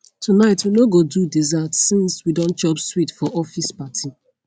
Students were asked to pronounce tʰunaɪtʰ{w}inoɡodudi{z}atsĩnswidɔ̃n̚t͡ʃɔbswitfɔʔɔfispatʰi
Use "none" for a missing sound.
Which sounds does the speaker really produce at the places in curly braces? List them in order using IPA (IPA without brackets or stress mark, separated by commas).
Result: w, z